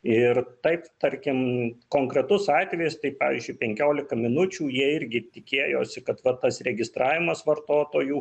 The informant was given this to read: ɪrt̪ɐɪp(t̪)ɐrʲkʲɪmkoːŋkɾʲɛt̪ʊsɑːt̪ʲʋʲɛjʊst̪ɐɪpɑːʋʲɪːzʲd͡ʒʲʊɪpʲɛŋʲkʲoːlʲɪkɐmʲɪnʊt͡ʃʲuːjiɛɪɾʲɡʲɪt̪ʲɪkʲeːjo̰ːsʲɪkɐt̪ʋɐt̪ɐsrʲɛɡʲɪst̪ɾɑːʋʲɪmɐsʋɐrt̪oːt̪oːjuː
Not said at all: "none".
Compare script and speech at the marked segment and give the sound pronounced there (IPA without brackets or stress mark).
t̪